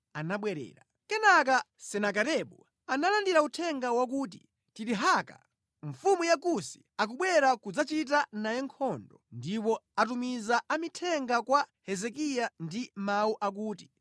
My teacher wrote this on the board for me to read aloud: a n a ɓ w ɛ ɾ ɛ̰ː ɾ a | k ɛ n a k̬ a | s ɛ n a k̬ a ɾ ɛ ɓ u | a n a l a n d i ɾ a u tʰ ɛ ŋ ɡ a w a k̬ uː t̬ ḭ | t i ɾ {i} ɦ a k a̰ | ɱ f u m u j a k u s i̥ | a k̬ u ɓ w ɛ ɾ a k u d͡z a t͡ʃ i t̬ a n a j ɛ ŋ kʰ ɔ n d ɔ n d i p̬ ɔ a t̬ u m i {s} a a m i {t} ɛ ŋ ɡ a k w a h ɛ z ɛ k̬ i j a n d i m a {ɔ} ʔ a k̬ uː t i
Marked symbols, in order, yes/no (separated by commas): yes, no, no, no